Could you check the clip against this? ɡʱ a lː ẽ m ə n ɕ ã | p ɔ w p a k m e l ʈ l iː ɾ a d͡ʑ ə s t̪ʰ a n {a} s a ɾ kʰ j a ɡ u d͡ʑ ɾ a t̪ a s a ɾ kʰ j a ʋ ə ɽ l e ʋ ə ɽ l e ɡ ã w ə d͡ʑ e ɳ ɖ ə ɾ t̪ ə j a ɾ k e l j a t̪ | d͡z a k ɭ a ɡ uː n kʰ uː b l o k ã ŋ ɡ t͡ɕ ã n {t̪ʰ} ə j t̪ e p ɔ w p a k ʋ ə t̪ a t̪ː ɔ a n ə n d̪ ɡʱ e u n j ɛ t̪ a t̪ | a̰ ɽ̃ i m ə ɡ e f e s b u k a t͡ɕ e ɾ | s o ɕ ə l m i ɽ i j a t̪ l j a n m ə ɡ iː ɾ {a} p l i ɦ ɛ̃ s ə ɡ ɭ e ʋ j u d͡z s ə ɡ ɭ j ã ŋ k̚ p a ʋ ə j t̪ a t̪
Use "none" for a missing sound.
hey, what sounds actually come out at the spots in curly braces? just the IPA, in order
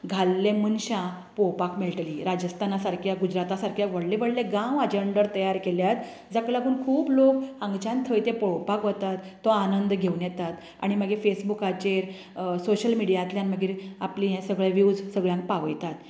a, t̪ʰ, a

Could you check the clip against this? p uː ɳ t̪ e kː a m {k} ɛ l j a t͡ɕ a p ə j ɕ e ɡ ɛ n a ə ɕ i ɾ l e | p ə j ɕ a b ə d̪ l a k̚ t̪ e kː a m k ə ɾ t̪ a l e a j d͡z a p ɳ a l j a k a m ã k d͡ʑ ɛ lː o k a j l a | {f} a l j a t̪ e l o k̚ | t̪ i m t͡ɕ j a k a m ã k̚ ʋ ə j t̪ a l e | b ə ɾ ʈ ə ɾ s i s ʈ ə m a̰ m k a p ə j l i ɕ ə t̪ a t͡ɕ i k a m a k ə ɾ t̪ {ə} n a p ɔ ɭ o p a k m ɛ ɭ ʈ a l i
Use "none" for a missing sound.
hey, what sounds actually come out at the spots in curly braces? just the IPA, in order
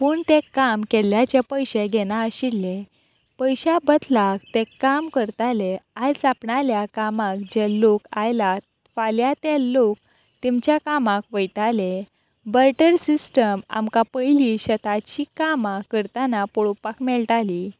k, f, a

